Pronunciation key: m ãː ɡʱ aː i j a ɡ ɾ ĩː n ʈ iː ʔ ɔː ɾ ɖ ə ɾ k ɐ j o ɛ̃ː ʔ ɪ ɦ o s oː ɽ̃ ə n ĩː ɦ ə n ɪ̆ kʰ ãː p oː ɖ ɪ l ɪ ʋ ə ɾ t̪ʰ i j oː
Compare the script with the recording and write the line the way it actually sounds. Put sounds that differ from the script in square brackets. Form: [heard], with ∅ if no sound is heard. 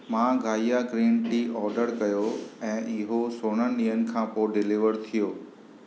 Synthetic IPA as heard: m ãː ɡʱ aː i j a ɡ ɾ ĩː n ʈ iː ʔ ɔː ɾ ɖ ə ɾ k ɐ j o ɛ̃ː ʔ ɪ ɦ o s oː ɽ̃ ə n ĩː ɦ ə n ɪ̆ kʰ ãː p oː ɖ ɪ l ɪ ʋ ə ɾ t̪ʰ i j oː

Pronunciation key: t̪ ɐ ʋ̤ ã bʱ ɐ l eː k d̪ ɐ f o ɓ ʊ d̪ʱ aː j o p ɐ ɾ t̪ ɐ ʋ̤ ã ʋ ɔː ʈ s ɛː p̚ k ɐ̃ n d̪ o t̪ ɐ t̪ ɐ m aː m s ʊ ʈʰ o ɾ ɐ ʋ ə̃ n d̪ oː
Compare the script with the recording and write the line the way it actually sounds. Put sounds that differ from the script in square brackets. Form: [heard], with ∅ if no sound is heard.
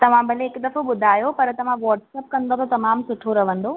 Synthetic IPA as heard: t̪ ɐ ʋ̤ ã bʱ ɐ l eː k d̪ ɐ f o ɓ ʊ d̪ʱ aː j o p ɐ ɾ t̪ ɐ ʋ̤ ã ʋ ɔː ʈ s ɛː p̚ k ɐ̃ n d̪ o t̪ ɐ t̪ ɐ m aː m s ʊ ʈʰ o ɾ ɐ ʋ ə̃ n d̪ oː

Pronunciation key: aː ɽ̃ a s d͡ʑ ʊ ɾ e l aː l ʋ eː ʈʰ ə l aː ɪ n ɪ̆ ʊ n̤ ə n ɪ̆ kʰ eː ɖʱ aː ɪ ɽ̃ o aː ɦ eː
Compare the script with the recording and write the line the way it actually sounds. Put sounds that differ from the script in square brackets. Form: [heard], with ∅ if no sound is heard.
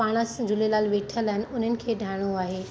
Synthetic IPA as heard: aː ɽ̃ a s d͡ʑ ʊ [l] e l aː l ʋ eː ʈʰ ə l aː ɪ n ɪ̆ ʊ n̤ ə n ɪ̆ kʰ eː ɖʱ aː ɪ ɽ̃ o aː ɦ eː

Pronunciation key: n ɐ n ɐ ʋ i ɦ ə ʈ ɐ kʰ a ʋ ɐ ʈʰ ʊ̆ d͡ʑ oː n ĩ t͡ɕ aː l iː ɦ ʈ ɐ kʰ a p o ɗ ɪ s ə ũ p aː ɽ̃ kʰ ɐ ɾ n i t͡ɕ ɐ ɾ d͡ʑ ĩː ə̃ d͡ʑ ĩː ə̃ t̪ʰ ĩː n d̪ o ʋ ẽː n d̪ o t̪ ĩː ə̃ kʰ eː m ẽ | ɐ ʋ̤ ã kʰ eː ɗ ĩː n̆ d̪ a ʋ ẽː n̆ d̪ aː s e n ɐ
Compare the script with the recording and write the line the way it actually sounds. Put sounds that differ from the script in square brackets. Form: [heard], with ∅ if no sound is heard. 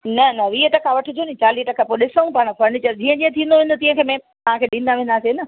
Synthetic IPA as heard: n ɐ n ɐ ʋ [iː] ɦ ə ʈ ɐ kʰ a ʋ ɐ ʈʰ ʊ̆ d͡ʑ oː n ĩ t͡ɕ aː l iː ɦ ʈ ɐ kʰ a p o ɗ ɪ s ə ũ p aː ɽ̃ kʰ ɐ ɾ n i t͡ɕ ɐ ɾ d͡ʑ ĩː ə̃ d͡ʑ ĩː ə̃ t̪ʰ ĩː n d̪ o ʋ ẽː n d̪ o t̪ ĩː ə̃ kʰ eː m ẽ | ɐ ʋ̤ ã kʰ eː ɗ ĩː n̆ d̪ a ʋ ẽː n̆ d̪ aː s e n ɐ

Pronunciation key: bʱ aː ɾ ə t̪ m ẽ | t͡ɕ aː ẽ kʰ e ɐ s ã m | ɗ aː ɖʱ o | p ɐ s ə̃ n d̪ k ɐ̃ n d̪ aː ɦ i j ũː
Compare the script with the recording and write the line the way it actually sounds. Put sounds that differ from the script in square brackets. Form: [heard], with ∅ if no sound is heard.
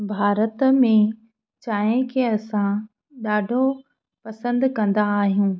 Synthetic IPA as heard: bʱ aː ɾ ə t̪ m ẽ | t͡ɕ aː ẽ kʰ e ɐ s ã [∅] | ɗ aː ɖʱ o | p ɐ s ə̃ n d̪ k ɐ̃ n d̪ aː ɦ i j ũː

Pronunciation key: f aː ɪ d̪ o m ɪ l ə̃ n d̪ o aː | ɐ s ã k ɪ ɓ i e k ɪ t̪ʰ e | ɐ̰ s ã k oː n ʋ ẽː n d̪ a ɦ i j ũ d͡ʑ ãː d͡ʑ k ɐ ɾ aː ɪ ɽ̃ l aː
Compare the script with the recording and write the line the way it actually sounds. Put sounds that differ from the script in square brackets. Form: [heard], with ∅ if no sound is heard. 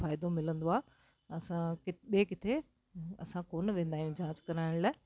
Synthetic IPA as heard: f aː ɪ d̪ o m ɪ l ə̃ n d̪ o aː | ɐ s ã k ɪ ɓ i e k ɪ t̪ʰ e | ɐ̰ s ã k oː n ʋ ẽː n d̪ a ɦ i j ũ d͡ʑ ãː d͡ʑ k ɐ ɾ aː ɪ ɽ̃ l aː

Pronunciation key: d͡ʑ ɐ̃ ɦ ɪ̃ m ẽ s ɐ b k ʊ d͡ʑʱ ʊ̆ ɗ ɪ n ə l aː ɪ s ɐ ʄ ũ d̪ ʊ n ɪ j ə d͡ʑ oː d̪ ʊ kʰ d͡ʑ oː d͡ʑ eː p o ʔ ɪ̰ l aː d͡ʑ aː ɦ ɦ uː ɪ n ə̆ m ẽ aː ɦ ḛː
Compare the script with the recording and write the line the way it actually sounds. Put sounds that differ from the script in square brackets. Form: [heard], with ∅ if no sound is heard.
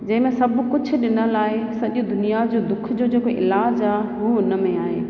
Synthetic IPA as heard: d͡ʑ ɐ̃ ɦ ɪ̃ m ẽ s ɐ b k ʊ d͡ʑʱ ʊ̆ ɗ ɪ n ə l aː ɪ s ɐ ʄ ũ d̪ ʊ n [i] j [a] d͡ʑ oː d̪ ʊ kʰ d͡ʑ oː d͡ʑ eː [k] o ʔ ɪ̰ l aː d͡ʑ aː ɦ ɦ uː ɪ n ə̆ m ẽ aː ɦ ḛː

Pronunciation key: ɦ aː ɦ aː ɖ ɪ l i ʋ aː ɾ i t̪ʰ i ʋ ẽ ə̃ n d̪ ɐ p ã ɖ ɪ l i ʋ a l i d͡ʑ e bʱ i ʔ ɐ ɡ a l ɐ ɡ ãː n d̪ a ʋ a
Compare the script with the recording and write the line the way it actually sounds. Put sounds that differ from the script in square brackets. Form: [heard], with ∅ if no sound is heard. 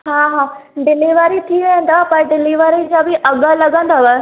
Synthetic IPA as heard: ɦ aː ɦ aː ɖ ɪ l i ʋ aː ɾ i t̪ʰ i ʋ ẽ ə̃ n d̪ [a] p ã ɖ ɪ l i ʋ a [ɾ] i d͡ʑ [a] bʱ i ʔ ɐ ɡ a l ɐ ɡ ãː n d̪ a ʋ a

